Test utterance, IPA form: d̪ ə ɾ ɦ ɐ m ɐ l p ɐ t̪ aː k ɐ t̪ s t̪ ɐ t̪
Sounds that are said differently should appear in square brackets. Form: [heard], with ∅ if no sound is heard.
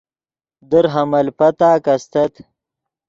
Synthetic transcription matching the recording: d̪ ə ɾ ɦ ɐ m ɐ l p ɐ t̪ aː k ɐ [∅] s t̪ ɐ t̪